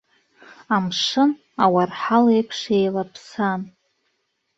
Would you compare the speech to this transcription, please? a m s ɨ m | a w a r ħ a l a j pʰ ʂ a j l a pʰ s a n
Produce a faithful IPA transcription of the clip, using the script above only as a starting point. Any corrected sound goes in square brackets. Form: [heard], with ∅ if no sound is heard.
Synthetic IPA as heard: a m [ʂ] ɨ [n] | a w a r ħ a l [e] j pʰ ʂ [e] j l a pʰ s a n